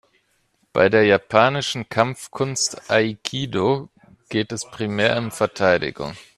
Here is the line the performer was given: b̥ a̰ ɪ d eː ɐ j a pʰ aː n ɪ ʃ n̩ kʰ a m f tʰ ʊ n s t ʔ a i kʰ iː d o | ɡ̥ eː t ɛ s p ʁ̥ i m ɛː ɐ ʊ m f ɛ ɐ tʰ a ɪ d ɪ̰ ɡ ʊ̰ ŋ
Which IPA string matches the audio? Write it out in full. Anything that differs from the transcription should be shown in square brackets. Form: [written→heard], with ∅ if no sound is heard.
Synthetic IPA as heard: b̥ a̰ ɪ d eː ɐ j a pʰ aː n ɪ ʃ n̩ kʰ a m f [tʰ→kʰ] ʊ n s t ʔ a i kʰ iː d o | ɡ̥ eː t ɛ s p ʁ̥ i m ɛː ɐ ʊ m f ɛ ɐ tʰ a ɪ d ɪ̰ ɡ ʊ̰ ŋ